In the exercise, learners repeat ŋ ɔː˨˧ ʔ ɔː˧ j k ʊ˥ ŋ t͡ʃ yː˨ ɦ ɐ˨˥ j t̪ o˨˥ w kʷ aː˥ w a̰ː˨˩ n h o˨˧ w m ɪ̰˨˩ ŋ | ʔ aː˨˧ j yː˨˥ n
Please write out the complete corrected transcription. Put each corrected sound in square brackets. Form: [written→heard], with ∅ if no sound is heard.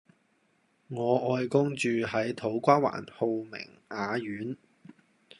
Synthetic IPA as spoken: ŋ ɔː˨˧ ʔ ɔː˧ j k ʊ˥ ŋ t͡ʃ yː˨ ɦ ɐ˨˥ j [t̪→t̪ʰ] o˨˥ w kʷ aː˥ w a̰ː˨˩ n h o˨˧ w m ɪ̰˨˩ ŋ | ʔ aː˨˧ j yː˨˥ n